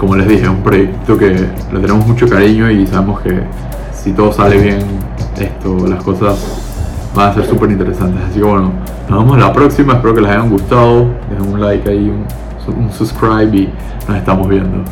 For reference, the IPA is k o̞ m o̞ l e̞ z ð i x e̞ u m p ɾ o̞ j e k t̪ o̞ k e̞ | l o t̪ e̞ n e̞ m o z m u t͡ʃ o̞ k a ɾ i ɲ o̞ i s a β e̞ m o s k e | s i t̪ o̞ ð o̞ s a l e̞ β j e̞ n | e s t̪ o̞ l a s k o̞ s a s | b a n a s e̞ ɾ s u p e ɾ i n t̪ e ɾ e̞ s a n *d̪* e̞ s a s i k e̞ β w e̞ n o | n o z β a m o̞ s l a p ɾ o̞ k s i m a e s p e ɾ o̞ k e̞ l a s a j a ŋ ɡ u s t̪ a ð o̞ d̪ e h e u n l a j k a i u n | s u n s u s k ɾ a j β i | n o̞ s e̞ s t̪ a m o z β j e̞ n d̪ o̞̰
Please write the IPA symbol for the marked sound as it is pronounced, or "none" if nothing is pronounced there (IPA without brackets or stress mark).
t̪